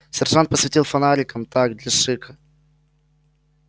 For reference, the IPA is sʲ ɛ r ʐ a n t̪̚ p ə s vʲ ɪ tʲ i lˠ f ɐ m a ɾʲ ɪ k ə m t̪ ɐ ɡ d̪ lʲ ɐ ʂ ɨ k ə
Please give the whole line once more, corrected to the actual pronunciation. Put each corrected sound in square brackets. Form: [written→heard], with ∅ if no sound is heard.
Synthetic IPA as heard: sʲ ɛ r ʐ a n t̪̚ p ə s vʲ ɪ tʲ i lˠ f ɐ [m→n] a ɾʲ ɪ k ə m t̪ [ɐ→a] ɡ d̪ lʲ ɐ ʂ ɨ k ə